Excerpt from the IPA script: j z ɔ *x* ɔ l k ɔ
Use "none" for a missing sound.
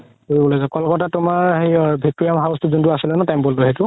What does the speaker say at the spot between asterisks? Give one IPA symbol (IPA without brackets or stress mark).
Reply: k